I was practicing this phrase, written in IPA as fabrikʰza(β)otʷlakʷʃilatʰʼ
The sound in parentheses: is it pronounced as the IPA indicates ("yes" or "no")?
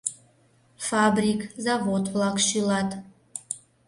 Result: no